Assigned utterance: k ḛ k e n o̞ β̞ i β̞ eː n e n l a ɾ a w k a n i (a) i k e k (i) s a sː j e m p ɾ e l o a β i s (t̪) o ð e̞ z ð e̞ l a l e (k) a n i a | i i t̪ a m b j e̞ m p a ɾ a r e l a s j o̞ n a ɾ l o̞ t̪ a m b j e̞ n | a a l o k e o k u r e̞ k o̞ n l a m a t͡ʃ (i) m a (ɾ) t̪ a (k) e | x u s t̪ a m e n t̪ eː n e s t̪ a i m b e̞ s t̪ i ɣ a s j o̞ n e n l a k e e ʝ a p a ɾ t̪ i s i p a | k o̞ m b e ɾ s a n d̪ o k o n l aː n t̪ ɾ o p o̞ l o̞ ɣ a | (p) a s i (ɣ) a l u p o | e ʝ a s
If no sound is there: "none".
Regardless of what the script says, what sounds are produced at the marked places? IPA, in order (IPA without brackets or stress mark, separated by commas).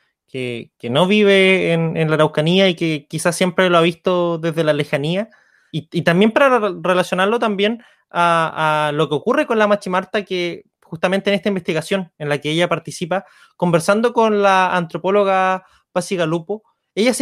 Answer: a, i, t̪, x, i, ɾ, k, p, ɣ